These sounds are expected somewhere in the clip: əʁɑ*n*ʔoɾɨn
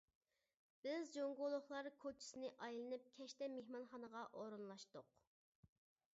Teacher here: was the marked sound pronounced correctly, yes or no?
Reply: no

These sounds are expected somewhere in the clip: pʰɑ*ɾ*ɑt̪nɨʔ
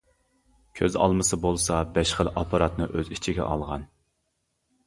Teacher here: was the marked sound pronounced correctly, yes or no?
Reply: yes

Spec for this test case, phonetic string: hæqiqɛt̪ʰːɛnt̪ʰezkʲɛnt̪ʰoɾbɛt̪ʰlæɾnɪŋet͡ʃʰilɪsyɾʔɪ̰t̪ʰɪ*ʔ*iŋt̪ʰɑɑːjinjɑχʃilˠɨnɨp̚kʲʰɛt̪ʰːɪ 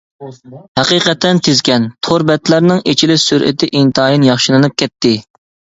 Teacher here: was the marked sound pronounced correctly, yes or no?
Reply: yes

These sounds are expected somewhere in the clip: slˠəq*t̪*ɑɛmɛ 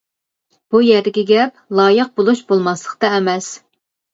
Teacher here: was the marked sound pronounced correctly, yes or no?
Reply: yes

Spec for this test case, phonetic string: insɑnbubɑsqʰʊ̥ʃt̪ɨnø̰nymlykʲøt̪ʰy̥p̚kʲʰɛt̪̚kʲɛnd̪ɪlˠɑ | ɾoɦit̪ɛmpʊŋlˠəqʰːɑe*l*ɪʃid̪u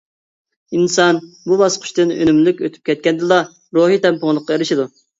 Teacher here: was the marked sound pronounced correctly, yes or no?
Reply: no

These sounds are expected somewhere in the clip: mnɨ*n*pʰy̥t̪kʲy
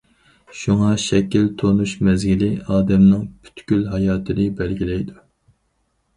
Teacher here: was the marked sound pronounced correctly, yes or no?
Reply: no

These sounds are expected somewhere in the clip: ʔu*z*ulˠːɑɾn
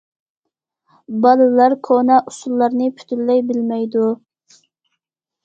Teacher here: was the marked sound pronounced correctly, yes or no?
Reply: no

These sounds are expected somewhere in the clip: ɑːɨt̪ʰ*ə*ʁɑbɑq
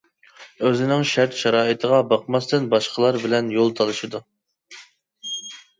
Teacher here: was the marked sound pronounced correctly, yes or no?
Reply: yes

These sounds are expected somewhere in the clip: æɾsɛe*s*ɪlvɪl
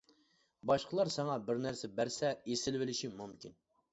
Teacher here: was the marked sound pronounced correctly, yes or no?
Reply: yes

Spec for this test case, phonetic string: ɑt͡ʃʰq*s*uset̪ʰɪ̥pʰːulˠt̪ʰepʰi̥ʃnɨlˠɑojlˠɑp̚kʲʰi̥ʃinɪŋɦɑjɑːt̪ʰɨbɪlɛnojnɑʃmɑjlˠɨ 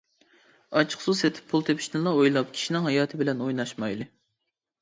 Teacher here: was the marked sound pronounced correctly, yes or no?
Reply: yes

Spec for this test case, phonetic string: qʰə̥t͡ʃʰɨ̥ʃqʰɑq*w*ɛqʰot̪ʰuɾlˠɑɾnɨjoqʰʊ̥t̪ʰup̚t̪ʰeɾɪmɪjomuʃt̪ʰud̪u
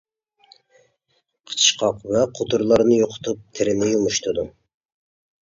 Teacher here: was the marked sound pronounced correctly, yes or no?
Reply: no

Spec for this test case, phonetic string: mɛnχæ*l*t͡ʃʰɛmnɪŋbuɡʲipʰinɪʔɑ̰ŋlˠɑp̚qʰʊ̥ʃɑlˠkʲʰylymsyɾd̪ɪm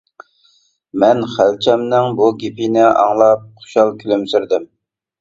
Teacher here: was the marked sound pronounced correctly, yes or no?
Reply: yes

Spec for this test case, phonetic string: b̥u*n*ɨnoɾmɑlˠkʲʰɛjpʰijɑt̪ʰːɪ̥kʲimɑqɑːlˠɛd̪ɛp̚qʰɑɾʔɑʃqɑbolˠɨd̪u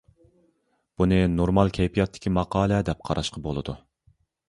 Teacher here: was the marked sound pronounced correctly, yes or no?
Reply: yes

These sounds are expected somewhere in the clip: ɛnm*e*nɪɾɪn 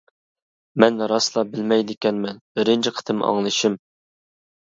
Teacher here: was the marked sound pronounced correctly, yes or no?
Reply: no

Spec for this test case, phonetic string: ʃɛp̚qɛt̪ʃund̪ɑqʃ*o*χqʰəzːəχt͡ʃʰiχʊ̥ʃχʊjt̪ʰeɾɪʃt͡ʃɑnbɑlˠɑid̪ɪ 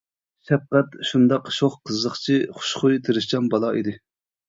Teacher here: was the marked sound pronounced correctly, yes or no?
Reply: yes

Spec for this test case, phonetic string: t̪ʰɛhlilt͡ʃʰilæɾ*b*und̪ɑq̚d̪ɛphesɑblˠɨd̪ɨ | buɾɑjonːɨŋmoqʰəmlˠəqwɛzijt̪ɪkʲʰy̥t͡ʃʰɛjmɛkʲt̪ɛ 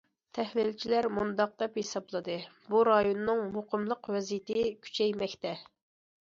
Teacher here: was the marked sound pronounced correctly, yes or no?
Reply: no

